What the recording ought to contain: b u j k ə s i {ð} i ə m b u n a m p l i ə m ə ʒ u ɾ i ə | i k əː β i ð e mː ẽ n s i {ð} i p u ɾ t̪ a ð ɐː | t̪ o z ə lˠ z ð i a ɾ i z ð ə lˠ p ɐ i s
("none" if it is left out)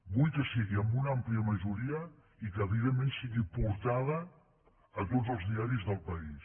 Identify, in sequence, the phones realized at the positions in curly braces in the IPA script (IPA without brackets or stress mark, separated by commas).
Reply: ɣ, ɣ